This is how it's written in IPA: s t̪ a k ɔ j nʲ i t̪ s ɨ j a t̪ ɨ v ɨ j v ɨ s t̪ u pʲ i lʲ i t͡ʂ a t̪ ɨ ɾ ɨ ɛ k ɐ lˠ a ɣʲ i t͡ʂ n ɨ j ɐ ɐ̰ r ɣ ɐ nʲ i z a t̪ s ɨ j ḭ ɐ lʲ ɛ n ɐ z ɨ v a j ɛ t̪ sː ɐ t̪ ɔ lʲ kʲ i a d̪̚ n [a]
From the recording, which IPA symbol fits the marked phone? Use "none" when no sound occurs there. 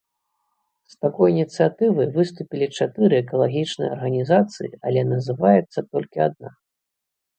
a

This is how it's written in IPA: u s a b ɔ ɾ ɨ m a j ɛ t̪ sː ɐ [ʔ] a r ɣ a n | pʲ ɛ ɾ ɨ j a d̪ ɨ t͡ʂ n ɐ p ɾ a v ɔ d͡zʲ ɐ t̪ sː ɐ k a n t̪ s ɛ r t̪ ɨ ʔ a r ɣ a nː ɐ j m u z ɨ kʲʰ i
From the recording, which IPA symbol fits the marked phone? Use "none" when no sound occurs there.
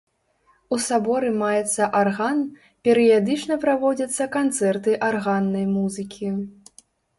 ʔ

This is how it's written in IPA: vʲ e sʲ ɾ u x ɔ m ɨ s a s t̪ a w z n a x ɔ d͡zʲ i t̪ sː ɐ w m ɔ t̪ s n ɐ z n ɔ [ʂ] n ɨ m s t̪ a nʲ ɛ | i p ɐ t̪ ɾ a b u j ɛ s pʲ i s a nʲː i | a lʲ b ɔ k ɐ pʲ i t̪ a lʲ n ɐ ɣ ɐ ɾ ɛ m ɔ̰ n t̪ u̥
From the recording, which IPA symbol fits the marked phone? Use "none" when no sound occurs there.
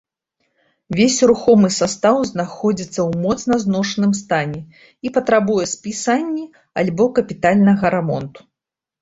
ʂ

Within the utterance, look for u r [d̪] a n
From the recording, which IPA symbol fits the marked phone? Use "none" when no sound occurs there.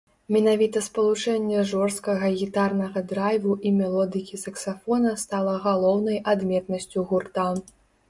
t̪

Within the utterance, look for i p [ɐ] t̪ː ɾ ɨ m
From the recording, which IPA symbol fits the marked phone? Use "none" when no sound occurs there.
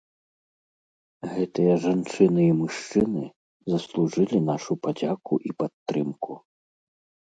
a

